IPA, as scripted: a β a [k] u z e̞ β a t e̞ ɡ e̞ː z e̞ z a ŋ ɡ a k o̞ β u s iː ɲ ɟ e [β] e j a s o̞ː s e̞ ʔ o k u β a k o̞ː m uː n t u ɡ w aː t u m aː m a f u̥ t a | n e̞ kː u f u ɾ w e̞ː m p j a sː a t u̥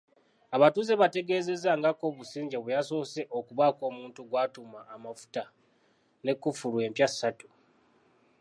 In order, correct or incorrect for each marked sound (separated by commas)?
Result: incorrect, correct